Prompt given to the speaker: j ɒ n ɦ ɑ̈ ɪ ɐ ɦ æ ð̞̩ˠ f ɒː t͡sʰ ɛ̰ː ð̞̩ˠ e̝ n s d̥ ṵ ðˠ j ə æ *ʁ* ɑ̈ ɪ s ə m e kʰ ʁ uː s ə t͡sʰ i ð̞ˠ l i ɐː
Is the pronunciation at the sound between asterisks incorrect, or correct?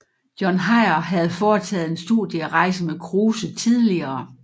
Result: correct